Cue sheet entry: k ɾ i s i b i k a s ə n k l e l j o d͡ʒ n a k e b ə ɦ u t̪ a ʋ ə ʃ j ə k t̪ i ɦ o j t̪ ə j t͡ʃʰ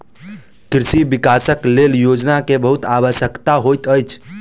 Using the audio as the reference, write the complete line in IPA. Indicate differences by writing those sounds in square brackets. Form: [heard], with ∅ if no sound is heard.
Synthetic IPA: k ɾ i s i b i k a s ə [∅] k l e l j o d͡ʒ n a k e b ə ɦ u t̪ a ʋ ə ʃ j ə k t̪ [a] ɦ o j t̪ ə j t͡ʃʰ